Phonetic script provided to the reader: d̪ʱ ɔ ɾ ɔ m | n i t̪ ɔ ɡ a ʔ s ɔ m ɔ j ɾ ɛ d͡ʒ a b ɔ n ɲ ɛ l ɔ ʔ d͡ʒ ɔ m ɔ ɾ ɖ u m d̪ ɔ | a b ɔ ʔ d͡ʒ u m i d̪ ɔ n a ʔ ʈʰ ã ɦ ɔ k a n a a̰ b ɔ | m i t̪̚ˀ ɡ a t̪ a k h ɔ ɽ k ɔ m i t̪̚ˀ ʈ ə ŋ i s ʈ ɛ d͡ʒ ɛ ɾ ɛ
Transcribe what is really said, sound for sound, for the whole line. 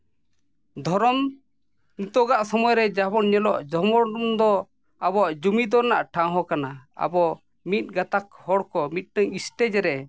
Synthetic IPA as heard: d̪ʱ ɔ ɾ ɔ m | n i t̪ ɔ ɡ a ʔ s ɔ m ɔ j ɾ ɛ d͡ʒ a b ɔ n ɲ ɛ l ɔ ʔ d͡ʒ ɔ m ɔ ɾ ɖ u m d̪ ɔ | a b ɔ ʔ d͡ʒ u m i d̪ ɔ n a ʔ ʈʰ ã ɦ ɔ k a n a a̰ b ɔ | m i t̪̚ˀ ɡ a t̪ a k h ɔ ɽ k ɔ m i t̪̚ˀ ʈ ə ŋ i s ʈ ɛ d͡ʒ ɛ ɾ ɛ